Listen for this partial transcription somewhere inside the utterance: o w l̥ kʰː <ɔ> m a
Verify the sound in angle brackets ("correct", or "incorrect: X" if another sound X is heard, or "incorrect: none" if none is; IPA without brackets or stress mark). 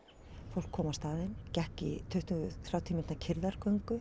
incorrect: ɔː